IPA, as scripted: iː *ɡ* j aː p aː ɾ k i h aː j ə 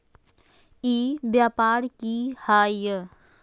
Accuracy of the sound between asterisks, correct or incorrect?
incorrect